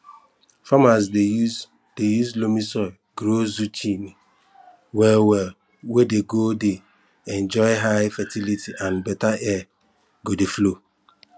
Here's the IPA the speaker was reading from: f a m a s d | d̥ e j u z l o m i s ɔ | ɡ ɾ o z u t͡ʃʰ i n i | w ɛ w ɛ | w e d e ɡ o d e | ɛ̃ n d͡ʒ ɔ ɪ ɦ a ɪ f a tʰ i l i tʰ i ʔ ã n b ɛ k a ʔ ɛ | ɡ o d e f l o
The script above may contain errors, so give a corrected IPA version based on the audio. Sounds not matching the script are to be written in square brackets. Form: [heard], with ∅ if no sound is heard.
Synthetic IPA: f a m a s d | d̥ e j u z l o m i s ɔ | ɡ ɾ o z u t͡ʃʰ i n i | w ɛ w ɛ | w e d e ɡ o d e | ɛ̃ n d͡ʒ ɔ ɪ ɦ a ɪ f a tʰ i l i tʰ i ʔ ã n b ɛ [t] a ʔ ɛ | ɡ o d e f l o